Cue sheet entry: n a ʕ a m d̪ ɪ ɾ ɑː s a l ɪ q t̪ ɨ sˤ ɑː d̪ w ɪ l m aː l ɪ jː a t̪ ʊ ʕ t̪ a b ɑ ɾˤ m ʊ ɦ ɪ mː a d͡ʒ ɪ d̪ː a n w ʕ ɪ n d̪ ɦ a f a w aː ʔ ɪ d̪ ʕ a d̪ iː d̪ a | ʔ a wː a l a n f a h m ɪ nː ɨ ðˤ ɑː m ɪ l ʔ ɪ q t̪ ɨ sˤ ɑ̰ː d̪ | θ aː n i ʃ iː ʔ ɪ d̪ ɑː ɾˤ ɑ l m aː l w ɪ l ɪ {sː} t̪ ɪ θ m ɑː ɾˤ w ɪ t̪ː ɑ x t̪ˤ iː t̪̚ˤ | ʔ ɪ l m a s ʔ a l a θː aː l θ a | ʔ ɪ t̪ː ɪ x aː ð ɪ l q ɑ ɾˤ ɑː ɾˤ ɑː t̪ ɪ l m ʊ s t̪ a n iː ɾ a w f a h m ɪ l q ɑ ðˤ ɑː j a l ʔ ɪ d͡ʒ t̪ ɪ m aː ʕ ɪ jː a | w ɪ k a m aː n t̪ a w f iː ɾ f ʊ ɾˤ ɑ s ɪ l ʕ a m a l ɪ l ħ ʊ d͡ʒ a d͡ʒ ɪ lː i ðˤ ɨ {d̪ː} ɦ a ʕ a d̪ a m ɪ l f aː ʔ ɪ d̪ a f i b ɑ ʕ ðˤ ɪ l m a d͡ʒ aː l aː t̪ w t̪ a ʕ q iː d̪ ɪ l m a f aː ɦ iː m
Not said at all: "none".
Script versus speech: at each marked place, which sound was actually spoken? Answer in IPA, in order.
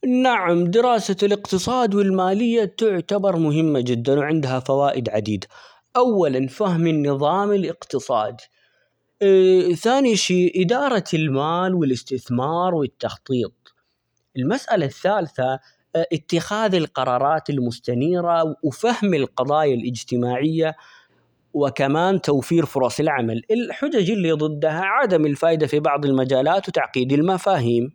s, d̪ː

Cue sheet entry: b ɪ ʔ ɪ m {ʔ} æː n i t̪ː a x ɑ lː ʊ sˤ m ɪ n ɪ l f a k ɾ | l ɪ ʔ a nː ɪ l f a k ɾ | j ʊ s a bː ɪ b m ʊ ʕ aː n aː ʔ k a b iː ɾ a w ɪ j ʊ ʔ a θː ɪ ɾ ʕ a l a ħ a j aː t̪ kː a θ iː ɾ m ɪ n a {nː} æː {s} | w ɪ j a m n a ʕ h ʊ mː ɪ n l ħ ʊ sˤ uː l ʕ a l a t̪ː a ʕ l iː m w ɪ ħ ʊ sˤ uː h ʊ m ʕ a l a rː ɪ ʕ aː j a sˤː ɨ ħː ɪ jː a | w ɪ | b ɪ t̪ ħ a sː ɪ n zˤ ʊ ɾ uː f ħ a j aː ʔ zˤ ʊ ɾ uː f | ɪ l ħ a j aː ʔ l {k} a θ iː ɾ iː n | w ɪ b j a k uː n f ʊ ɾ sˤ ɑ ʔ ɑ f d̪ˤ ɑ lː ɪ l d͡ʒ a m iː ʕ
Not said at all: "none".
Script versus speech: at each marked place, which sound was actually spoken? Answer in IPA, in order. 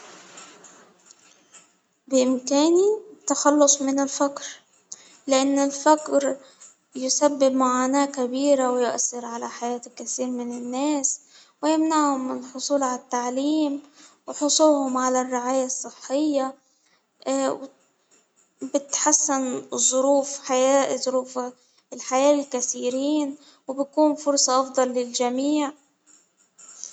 k, nː, s, k

